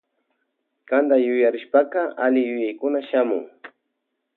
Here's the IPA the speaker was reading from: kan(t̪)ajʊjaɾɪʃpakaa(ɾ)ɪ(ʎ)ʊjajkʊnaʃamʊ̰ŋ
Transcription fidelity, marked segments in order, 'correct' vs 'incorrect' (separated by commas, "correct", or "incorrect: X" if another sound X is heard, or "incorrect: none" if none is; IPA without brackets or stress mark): incorrect: d̪, incorrect: l, incorrect: j